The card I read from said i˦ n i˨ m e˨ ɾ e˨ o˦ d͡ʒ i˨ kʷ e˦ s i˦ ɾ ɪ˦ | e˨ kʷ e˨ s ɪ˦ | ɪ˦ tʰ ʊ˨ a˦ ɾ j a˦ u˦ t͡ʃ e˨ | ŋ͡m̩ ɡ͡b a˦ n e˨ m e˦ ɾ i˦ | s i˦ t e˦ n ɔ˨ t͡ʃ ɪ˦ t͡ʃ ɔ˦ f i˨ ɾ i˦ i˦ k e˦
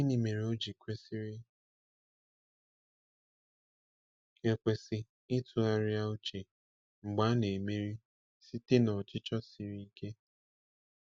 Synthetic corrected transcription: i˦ n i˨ m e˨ ɾ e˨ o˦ d͡ʒ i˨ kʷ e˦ s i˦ ɾ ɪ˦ | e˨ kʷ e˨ s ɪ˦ | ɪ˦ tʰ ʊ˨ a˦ ɾ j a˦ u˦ t͡ʃ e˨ | ŋ͡m̩ ɡ͡b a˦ n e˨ m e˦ ɾ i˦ | s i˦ t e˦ n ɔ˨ t͡ʃ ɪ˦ t͡ʃ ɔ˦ s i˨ ɾ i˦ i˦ k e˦